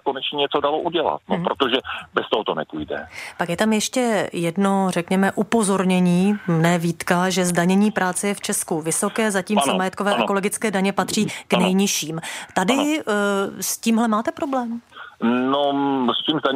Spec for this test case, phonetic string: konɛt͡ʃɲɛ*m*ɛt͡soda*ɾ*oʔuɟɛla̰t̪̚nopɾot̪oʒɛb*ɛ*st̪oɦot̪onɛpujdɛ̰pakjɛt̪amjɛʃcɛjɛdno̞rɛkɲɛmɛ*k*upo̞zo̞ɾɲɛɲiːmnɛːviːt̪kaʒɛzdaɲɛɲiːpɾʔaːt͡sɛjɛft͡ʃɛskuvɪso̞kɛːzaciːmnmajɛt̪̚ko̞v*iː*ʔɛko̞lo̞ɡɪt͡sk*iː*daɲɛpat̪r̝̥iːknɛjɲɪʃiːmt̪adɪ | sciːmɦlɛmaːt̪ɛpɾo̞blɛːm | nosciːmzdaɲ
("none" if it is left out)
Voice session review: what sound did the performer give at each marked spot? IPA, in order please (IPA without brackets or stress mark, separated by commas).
ɲ, l, ɛ, ʔ, ɛː, ɛː